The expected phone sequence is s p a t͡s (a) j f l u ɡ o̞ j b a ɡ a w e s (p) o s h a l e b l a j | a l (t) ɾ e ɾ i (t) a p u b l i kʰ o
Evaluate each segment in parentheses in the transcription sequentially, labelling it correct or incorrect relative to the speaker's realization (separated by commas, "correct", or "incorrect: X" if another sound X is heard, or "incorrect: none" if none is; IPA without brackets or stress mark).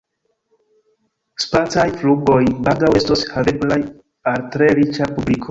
correct, incorrect: t, correct, incorrect: t͡ʃ